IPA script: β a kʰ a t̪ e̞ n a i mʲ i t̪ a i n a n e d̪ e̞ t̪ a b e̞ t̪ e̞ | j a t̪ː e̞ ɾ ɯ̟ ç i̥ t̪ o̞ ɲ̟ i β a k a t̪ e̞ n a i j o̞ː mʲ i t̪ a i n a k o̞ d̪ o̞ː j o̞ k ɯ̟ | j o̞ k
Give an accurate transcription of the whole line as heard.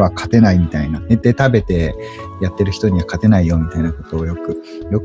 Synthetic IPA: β a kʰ a t̪ e̞ n a i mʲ i t̪ a i n a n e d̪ e̞ t̪ a b e̞ t̪ e̞ | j a t̪ː e̞ ɾ ɯ̟ ç i̥ t̪ o̞ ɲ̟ i β a k a t̪ e̞ n a i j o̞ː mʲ i t̪ a i n a k o̞ t̪ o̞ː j o̞ k ɯ̟ | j o̞ k